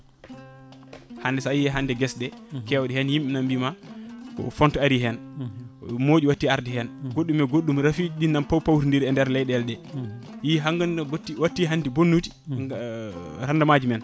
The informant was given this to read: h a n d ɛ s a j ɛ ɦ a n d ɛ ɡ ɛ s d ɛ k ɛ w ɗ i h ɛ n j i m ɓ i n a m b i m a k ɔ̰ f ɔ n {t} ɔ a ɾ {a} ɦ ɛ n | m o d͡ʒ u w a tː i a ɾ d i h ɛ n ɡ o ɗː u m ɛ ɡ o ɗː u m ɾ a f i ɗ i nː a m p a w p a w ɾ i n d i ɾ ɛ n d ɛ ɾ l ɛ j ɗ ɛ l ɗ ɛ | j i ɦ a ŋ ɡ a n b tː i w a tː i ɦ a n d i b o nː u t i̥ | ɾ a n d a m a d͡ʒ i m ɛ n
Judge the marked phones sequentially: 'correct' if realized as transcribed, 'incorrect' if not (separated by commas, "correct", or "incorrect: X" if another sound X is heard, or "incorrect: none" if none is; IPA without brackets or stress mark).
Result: correct, incorrect: i